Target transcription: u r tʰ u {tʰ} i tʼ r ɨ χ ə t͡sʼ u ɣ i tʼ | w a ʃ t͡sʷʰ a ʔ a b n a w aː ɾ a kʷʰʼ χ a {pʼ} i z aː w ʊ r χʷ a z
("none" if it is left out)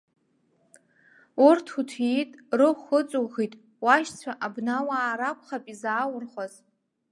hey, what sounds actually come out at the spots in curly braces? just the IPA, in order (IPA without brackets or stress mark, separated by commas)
tʰ, pʼ